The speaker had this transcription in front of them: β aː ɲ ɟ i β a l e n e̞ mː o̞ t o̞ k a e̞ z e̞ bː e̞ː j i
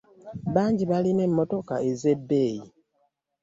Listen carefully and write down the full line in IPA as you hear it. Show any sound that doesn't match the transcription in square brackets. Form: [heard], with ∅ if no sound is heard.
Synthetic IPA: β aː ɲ ɟ i β a l [i] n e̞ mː o̞ t o̞ k a e̞ z e̞ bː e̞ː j i